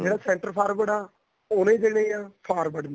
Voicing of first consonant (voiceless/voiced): voiced